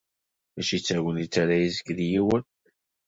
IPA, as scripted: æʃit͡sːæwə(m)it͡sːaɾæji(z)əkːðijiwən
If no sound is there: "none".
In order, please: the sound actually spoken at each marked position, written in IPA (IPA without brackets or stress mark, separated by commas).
n, z